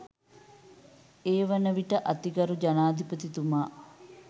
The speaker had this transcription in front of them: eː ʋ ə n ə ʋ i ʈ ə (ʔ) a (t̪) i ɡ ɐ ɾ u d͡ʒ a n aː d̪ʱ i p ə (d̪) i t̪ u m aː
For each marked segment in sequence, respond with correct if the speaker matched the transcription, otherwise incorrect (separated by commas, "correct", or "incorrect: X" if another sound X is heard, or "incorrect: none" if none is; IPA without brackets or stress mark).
correct, correct, incorrect: t̪